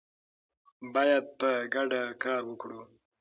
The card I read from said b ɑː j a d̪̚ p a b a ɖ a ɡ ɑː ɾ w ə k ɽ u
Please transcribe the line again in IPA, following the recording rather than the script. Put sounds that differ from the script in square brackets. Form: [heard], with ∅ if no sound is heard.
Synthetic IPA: b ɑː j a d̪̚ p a [ɡ] a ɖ a [k] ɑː ɾ w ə k ɽ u